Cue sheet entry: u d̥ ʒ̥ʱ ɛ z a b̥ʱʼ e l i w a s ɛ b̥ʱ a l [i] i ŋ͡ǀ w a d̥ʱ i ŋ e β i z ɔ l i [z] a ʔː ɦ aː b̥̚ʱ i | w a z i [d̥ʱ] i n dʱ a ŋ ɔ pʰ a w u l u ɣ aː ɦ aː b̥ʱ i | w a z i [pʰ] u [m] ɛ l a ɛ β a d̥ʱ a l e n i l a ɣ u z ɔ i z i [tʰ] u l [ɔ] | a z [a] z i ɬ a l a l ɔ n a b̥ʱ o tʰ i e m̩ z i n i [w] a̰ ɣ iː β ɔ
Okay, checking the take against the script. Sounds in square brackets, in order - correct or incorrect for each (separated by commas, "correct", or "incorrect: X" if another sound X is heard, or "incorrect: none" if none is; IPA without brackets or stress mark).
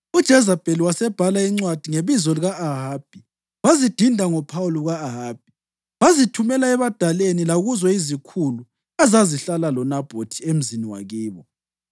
incorrect: a, incorrect: ɣ, correct, incorrect: tʰ, correct, incorrect: kʰ, incorrect: u, correct, correct